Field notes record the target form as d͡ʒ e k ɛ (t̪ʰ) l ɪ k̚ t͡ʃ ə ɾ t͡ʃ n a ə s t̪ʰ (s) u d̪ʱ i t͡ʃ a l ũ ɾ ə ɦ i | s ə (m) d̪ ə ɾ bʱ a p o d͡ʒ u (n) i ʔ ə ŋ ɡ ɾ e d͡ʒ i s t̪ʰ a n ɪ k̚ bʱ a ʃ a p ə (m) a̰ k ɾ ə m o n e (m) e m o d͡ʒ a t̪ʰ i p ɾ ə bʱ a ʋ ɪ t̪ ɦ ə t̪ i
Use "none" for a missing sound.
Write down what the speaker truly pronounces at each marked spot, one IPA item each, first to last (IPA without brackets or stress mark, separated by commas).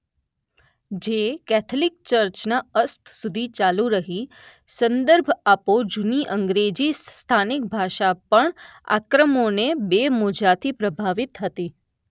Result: t̪ʰ, s, n, n, ɳ, b